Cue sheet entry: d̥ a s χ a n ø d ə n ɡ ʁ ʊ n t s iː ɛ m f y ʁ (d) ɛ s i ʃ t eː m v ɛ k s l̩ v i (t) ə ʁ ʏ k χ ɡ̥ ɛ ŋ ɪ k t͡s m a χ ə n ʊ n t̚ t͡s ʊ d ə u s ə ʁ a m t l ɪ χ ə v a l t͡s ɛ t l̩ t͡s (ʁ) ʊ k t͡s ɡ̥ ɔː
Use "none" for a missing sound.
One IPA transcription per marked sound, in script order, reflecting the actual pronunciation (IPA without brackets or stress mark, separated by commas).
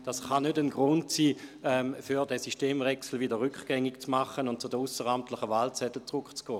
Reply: d, d, ʁ